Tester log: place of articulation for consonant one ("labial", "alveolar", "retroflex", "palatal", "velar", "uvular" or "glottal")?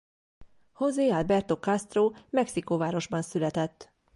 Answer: glottal